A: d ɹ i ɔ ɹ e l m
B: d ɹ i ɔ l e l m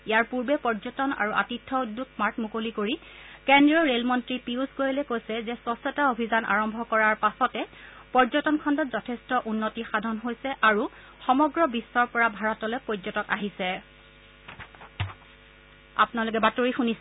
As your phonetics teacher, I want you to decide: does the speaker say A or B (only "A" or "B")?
A